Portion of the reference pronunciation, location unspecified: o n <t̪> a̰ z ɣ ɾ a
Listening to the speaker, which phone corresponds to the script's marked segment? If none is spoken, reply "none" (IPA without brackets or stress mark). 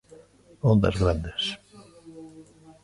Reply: d̪